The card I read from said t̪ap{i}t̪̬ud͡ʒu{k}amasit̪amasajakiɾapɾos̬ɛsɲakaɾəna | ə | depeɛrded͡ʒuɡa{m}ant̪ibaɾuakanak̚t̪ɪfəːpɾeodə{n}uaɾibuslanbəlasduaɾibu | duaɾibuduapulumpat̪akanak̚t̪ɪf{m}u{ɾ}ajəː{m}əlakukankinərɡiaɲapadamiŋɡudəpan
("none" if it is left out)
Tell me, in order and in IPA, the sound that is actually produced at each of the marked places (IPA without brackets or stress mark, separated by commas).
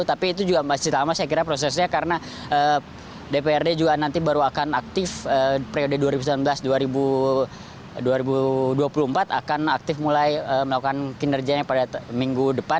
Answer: iː, ɡ, n, d, m, l, m